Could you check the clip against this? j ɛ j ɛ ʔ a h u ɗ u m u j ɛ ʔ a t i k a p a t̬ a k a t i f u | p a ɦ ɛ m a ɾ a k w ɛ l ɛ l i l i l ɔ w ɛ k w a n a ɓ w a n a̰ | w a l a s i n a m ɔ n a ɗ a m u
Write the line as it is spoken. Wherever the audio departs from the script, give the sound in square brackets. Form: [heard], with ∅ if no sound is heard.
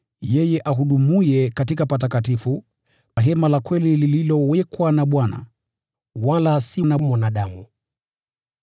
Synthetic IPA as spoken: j ɛ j ɛ ʔ a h u ɗ u m u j ɛ [k] a t i k a p a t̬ a k a t i f u | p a ɦ ɛ m a [l] a k w ɛ l [i] l i l i l ɔ w ɛ k w a n a ɓ w a n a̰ | w a l a s i n a m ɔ n a ɗ a m u

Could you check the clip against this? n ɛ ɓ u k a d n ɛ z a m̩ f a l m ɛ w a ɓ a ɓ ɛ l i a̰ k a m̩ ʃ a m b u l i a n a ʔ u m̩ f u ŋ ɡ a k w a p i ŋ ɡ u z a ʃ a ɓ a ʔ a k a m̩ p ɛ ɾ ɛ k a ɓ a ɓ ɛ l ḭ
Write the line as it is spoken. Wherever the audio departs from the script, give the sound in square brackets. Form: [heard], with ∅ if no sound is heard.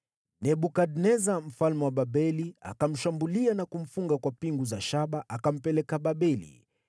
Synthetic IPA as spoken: n ɛ ɓ u k a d n ɛ z a m̩ f a l m ɛ w a ɓ a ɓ ɛ l i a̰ k a m̩ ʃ a m b u l i a n a [k] u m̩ f u ŋ ɡ a k w a p i ŋ ɡ u z a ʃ a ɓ a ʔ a k a m̩ p ɛ [l] ɛ k a ɓ a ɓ ɛ l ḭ

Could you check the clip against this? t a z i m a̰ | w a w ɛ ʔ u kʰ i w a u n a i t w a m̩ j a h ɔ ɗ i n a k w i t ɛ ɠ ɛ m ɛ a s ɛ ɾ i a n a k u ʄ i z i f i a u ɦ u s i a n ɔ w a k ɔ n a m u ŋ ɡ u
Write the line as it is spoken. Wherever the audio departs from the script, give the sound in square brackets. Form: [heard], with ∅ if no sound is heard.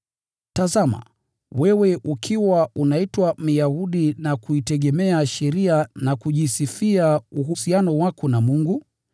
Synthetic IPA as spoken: t a z [a] m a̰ | w [ɛ] w ɛ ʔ u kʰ i w a u n a i t w a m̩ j a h [u] ɗ i n a k [u] i t ɛ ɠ ɛ m ɛ a [ʃ] ɛ ɾ i a n a k u ʄ i [s] i f i a u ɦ u s i a n ɔ w a k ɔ n a m u ŋ ɡ u

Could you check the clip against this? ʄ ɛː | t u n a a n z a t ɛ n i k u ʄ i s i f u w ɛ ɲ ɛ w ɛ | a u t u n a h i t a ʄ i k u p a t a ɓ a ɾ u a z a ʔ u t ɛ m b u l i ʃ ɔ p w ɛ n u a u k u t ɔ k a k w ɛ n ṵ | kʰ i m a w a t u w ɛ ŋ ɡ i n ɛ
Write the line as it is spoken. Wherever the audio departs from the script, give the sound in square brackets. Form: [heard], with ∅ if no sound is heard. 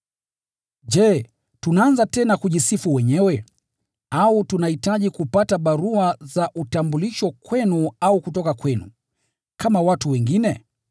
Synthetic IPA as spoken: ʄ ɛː | t u n a a n z a t ɛ n [a] k u ʄ i s i f u w ɛ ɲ ɛ w ɛ | a u t u n a h i t a ʄ i k u p a t a ɓ a ɾ u a z a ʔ u t [a] m b u l i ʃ ɔ [k] w ɛ n u a u k u t ɔ k a k w ɛ n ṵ | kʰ [a] m a w a t u w ɛ ŋ ɡ i n ɛ

